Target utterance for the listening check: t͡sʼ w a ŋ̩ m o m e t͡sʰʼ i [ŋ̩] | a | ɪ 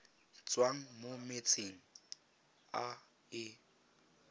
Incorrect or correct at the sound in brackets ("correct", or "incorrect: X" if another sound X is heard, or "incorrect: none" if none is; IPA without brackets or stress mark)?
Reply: correct